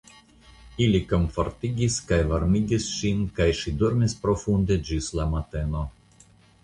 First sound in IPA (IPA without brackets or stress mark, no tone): i